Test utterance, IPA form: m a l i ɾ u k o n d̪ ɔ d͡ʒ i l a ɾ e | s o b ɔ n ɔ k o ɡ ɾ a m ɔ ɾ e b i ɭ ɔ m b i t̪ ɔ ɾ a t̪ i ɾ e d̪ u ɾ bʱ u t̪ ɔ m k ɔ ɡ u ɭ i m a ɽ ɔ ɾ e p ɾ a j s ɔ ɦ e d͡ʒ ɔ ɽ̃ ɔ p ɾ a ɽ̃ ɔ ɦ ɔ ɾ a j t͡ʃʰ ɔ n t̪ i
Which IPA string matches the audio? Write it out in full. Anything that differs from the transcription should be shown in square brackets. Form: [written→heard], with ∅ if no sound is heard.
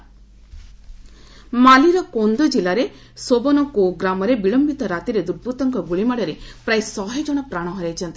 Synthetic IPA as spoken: m a l i ɾ [u→ɔ] k o n d̪ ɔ d͡ʒ i l a ɾ e | s o b ɔ n ɔ k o ɡ ɾ a m ɔ ɾ e b i ɭ ɔ m b i t̪ ɔ ɾ a t̪ i ɾ e d̪ u ɾ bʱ u t̪ ɔ [m→ŋ] k ɔ ɡ u ɭ i m a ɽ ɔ ɾ e p ɾ a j s ɔ ɦ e d͡ʒ ɔ ɽ̃ ɔ p ɾ a ɽ̃ ɔ ɦ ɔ ɾ a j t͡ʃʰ ɔ n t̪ i